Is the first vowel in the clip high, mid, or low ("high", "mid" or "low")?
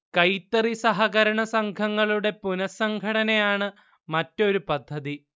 low